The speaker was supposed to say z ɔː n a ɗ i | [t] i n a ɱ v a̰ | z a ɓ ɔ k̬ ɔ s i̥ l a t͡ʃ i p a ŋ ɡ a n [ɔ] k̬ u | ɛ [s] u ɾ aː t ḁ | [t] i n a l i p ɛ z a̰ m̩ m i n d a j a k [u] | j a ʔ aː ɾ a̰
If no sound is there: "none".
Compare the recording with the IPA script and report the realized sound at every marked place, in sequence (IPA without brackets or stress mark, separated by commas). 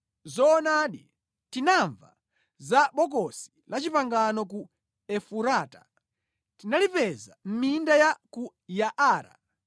t, ɔ, f, t, u